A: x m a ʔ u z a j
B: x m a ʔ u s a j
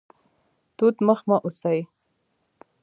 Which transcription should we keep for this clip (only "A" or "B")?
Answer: B